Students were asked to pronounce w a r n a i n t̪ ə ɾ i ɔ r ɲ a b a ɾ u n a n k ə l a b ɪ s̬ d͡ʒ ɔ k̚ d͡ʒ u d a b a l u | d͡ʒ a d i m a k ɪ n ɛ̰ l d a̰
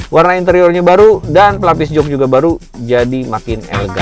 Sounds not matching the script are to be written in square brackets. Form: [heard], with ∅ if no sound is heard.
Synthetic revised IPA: w a r n a i n t̪ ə ɾ i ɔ r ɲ a b a ɾ u [d] a n [p] ə l a [p] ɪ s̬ d͡ʒ ɔ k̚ d͡ʒ u [ɡ] a b a [ɾ] u | d͡ʒ a d i m a k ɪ n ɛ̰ l [ɡ] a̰

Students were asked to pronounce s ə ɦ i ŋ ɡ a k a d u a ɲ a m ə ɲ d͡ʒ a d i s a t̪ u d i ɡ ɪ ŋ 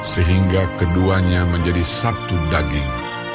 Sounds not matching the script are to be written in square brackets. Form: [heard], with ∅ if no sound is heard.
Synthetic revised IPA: s ə ɦ i ŋ ɡ a k [ə] d u a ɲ a m ə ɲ d͡ʒ a d i s a t̪ u d [a] ɡ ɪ ŋ

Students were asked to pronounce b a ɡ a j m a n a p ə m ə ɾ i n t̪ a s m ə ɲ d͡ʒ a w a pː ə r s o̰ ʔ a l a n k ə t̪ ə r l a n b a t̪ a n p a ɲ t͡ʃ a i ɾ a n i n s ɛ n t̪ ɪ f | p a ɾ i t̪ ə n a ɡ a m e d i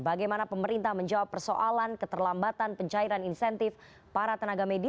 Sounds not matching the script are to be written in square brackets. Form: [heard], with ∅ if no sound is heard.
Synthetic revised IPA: b a ɡ a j m a n a p ə m ə ɾ i n t̪ a [h] m ə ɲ d͡ʒ a w a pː ə r s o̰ ʔ a l a n k ə t̪ ə r l a [m] b a t̪ a n p [ə] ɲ t͡ʃ a i ɾ a n i n s ɛ n t̪ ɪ f | p a ɾ [a] t̪ ə n a ɡ a m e d i

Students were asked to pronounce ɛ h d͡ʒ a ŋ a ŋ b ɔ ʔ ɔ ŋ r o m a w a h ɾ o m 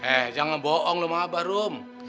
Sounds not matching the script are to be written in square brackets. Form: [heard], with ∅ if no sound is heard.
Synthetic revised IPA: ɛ h d͡ʒ a ŋ a [n] b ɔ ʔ ɔ ŋ [l] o m a [b] a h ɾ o m

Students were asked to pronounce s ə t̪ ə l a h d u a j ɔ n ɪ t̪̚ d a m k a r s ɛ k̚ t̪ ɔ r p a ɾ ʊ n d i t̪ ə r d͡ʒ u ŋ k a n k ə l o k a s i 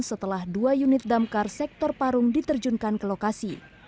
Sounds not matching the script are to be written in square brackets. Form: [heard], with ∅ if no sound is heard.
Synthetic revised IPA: s ə t̪ ə l a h d u a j [u] n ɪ t̪̚ d a m k a r s ɛ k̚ t̪ ɔ r p a ɾ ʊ [ŋ] d i t̪ ə r d͡ʒ u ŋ k a n k ə l o k a s i

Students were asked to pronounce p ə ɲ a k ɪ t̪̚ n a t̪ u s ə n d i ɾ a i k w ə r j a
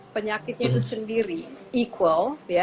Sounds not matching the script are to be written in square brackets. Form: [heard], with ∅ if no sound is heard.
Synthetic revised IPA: p ə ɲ a k ɪ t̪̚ [ɲ] a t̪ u s ə n d i ɾ [i] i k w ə [l] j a

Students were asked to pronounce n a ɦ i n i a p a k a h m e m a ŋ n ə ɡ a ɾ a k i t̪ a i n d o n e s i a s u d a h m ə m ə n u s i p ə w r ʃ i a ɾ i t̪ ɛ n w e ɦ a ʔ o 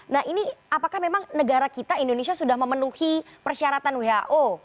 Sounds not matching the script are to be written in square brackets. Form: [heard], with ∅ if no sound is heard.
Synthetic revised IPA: n a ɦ i n i a p a k a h m e m a ŋ n ə ɡ a ɾ a k i t̪ a i n d o n e s i a s u d a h m ə m ə n u [h] i p ə [∅] r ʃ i a ɾ [a] t̪ [a] n w e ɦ a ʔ o

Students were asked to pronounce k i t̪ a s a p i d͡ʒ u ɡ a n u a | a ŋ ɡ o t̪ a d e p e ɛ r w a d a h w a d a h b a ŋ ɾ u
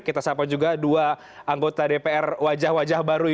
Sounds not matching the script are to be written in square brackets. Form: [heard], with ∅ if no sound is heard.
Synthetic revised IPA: k i t̪ a s a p [a] d͡ʒ u ɡ a [d] u a | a ŋ ɡ o t̪ a d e p e ɛ r w a [d͡ʒ] a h w a [d͡ʒ] a h b a [∅] ɾ u

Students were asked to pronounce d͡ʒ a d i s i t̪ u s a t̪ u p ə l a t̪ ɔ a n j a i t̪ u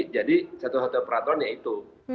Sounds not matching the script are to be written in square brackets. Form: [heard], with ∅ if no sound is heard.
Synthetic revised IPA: d͡ʒ a d i s [a] t̪ u s a t̪ u p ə [ɾ] a t̪ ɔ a n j a i t̪ u

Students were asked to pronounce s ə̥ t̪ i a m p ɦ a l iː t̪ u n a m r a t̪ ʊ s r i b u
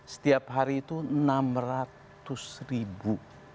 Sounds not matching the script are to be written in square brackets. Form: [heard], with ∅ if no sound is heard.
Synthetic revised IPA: s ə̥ t̪ i a [∅] p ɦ a [ɾ] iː t̪ u n a m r a t̪ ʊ s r i b u

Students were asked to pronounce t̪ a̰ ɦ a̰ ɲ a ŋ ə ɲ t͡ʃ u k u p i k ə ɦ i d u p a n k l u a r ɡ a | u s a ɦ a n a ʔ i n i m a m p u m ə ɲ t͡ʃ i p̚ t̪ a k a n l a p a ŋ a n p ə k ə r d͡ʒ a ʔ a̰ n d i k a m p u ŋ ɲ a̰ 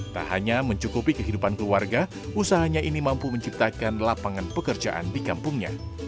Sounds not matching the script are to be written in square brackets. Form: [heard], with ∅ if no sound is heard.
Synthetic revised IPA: t̪ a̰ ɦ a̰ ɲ a [m] ə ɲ t͡ʃ u k u p i k ə ɦ i d u p a n k l u a r ɡ a | u s a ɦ a [ɲ] a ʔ i n i m a m p u m ə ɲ t͡ʃ i p̚ t̪ a k a n l a p a ŋ a n p ə k ə r d͡ʒ a ʔ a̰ n d i k a m p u ŋ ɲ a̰

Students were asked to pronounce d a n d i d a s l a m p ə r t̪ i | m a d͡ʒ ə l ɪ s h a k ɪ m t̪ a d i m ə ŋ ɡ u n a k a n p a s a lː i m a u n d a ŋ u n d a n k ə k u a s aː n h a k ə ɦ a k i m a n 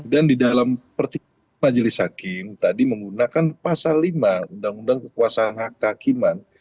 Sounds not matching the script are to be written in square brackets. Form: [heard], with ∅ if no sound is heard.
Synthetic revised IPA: d a n d i d a [∅] l a m p ə r t̪ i | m a d͡ʒ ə l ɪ s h a k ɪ m t̪ a d i m ə ŋ ɡ u n a k a n p a s a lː i m a u n d a ŋ u n d a [ŋ] k ə k u a s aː n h a k ə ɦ a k i m a n

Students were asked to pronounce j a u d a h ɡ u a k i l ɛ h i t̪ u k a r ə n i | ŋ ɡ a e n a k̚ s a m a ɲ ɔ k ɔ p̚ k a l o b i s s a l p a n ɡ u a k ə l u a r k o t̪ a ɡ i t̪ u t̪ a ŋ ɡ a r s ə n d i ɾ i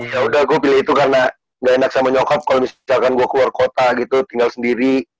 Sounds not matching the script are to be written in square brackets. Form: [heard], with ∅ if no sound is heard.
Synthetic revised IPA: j a u d a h ɡ u a [p] i l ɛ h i t̪ u k a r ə n [a] | ŋ ɡ a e n a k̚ s a m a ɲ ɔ k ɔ p̚ k a l o [m] i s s a l [k] a n ɡ u a k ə l u a r k o t̪ a ɡ i t̪ u t̪ [i] ŋ ɡ a [l] s ə n d i ɾ i

